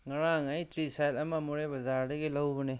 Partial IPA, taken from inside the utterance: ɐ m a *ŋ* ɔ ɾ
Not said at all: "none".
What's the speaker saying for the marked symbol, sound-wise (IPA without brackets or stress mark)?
m